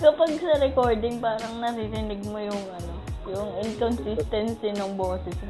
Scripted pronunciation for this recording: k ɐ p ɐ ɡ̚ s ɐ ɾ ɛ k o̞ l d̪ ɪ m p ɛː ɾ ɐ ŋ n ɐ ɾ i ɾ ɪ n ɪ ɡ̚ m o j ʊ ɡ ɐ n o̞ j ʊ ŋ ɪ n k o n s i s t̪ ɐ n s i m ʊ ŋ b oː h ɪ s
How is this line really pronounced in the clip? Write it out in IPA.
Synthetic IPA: k ɐ p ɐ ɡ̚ s ɐ ɾ ɛ k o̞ ɹ d̪ ɪ ŋ p aː ɾ ɐ ŋ n ɐ ɾ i ɾ ɪ n ɪ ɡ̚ m o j ʊ ŋ ɐ n o̞ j ʊ ŋ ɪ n k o n s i s t̪ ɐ n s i n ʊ ŋ b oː s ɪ s